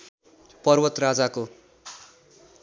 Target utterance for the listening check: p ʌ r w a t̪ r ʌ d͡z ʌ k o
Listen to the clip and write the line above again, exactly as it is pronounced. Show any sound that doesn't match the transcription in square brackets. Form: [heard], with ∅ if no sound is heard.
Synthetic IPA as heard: p ʌ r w [ʌ] t̪ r [a] d͡z [a] k o